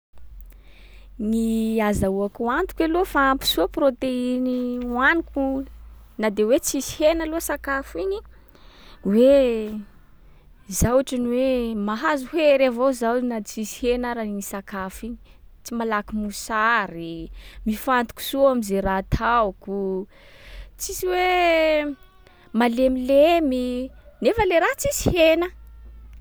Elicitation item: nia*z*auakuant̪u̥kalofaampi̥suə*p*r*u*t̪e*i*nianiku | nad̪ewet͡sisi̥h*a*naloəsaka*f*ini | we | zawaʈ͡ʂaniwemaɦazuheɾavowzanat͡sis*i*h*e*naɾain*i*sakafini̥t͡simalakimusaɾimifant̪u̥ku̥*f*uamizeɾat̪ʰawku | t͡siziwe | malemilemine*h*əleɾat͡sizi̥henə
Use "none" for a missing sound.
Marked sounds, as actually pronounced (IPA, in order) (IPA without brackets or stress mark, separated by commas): z, p, o, i, e, f, i, e, i, s, f